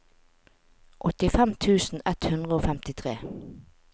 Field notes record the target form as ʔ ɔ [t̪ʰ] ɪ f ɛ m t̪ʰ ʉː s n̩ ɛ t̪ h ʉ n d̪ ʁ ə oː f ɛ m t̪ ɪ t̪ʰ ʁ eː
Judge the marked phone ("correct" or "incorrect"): incorrect